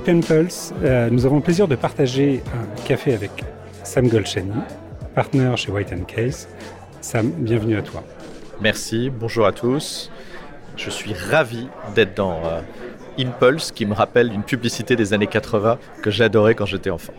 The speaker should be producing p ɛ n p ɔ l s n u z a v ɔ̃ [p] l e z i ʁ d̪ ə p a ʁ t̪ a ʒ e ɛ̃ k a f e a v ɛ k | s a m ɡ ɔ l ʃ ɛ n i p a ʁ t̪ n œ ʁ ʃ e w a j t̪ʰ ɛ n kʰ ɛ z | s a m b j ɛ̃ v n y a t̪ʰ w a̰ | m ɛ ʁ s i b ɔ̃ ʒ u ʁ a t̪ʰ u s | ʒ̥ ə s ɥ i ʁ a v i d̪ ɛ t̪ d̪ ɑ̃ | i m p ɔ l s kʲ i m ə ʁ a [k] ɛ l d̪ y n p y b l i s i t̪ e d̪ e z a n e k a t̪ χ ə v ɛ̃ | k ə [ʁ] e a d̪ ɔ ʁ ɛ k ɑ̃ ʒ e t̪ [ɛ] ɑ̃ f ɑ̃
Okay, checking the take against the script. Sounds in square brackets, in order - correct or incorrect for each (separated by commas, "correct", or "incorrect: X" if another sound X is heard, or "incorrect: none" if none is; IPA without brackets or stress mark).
correct, incorrect: p, incorrect: ʒ, correct